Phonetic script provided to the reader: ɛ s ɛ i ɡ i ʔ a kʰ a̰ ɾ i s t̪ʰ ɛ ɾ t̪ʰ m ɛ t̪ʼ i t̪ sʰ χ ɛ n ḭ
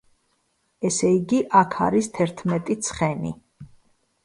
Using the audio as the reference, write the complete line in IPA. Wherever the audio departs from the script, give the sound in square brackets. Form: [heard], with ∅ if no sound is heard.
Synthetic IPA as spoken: ɛ s ɛ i ɡ i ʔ a kʰ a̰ ɾ i s t̪ʰ ɛ ɾ t̪ʰ m ɛ t̪ʼ i t̪ sʰ χ ɛ n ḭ